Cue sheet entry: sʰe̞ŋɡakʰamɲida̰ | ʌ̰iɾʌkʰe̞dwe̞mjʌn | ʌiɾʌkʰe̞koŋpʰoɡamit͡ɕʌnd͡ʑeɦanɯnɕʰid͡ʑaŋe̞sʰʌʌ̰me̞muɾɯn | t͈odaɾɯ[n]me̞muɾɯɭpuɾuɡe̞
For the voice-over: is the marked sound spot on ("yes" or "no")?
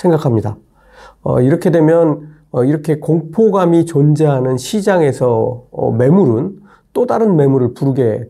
yes